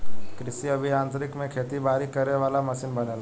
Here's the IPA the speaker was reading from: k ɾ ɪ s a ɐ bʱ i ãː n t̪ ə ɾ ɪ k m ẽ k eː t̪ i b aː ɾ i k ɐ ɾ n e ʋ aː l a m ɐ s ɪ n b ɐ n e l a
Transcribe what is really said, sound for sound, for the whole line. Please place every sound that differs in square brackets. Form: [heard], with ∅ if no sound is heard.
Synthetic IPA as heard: k ɾ ɪ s [i] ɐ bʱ i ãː n t̪ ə ɾ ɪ k m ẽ [kʰ] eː t̪ i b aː ɾ i k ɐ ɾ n e ʋ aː l a m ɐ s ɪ n b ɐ n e l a